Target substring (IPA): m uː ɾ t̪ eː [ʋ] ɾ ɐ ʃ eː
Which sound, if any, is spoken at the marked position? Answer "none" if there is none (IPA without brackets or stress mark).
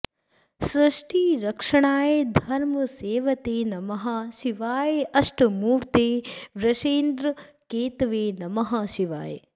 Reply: ʋ